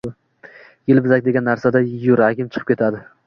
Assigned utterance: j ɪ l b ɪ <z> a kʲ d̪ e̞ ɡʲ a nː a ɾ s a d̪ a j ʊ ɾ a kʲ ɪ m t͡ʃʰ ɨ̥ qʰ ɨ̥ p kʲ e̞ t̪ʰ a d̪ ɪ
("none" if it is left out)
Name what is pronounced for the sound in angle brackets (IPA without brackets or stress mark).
z